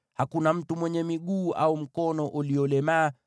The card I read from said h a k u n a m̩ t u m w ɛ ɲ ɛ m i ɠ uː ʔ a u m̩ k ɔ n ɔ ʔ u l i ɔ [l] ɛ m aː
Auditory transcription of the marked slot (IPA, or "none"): l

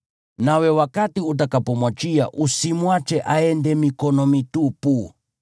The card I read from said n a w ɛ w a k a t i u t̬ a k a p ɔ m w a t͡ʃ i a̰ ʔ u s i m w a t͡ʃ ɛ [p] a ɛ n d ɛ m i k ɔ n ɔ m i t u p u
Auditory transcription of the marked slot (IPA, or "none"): ʔ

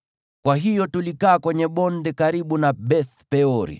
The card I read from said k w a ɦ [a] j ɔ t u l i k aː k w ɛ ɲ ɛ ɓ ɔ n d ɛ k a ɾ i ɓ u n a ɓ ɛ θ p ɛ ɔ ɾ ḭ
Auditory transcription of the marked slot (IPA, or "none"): i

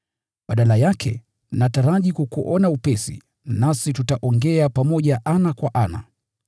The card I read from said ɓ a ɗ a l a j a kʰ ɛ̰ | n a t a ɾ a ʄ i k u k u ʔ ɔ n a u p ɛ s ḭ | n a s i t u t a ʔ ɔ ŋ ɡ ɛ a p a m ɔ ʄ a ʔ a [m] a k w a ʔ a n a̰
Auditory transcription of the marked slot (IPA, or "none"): n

